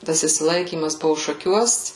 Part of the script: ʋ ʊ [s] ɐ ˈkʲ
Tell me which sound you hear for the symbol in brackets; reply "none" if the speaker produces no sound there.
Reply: ʃ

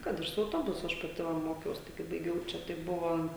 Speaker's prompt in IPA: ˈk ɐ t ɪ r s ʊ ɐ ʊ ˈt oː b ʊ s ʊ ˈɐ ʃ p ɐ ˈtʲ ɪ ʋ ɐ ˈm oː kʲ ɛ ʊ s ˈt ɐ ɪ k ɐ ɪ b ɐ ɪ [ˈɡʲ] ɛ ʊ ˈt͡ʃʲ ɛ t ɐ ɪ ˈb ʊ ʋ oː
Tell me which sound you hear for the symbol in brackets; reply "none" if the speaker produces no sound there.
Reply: ɡʲ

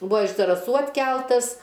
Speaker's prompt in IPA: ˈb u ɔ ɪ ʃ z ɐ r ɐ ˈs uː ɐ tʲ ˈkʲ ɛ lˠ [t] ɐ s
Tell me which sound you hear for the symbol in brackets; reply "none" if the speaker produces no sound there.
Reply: t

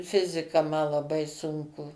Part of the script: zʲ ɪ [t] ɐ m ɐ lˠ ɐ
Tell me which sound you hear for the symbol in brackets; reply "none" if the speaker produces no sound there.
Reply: k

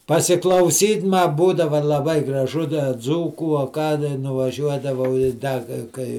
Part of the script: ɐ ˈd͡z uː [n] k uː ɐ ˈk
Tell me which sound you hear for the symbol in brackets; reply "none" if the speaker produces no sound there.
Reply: none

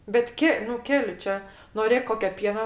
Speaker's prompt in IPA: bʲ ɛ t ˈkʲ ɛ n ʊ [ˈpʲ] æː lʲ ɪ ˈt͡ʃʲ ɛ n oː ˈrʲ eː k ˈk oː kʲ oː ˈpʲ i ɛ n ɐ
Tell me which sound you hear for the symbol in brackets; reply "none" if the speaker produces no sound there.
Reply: kʲ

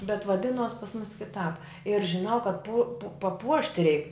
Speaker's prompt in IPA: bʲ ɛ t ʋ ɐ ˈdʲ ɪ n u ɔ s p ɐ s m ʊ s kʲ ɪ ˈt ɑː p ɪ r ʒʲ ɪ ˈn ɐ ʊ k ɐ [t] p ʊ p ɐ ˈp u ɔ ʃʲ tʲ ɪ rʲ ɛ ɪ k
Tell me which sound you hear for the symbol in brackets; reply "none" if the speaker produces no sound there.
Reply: t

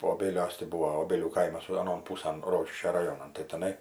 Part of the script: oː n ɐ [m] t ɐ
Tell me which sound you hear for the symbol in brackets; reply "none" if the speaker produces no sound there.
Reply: n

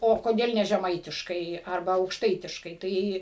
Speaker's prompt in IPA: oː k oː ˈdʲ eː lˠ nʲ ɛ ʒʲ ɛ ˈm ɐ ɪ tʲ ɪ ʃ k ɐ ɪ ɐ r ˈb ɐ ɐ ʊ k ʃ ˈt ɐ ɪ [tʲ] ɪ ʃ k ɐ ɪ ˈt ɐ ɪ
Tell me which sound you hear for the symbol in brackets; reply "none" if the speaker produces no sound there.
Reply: tʲ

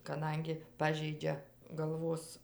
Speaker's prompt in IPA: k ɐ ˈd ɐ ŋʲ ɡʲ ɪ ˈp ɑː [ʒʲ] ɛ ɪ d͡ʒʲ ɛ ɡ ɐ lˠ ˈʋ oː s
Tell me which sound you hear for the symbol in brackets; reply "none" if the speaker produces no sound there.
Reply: ʒʲ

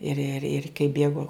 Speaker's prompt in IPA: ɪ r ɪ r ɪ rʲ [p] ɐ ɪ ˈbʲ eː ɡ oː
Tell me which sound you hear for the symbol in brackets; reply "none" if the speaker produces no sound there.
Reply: k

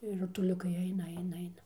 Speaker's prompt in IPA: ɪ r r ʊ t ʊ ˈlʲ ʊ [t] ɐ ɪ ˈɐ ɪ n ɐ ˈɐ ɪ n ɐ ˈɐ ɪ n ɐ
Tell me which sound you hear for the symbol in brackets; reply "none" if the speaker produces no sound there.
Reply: k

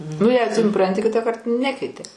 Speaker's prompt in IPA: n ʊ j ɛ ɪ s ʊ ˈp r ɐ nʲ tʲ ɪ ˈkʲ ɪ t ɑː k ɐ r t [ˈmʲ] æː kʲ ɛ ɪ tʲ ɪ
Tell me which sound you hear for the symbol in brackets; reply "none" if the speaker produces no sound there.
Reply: nʲ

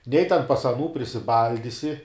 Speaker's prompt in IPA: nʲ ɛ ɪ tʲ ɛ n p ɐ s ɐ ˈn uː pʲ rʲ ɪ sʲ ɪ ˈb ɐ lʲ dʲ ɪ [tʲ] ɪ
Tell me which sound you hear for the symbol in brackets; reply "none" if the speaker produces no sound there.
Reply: sʲ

